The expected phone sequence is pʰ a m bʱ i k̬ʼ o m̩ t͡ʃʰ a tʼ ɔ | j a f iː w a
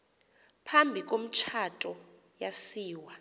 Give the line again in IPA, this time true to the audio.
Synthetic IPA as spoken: pʰ a m bʱ i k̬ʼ o m̩ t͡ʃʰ a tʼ ɔ | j a s iː w a